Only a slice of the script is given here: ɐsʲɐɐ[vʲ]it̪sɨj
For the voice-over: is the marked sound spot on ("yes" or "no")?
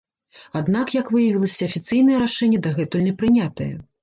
no